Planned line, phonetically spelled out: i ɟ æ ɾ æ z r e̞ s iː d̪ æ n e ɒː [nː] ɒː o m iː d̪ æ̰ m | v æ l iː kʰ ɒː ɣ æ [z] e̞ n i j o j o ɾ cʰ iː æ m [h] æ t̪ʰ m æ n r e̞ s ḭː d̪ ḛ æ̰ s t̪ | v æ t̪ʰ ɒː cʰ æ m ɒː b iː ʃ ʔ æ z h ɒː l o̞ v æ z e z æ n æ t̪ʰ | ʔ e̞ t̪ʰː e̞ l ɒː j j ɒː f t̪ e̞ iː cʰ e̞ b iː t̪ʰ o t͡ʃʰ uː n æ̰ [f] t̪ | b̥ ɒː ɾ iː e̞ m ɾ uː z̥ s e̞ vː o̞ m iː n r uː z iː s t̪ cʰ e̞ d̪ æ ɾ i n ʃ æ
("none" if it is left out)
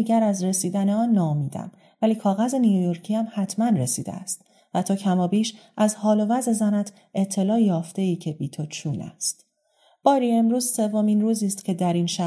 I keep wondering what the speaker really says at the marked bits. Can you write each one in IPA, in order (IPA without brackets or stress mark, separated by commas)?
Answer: nː, z, h, s